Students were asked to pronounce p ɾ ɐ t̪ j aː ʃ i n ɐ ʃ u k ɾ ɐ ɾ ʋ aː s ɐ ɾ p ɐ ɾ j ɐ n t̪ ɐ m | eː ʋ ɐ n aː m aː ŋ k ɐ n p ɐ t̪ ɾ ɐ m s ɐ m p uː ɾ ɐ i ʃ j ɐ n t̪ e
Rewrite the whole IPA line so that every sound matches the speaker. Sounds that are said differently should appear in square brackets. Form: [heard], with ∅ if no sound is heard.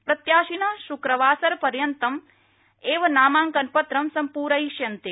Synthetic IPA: p ɾ ɐ t̪ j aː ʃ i n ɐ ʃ u k ɾ ɐ [∅] ʋ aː s ɐ ɾ p ɐ ɾ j ɐ n t̪ ɐ m | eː ʋ ɐ n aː m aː ŋ k ɐ n p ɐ t̪ ɾ ɐ m s ɐ m p uː ɾ ɐ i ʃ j ɐ n t̪ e